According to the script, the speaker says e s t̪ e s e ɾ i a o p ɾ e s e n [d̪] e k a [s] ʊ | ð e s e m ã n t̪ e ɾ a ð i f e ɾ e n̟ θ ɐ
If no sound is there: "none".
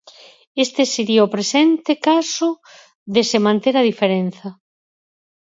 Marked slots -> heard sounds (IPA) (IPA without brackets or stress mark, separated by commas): t̪, s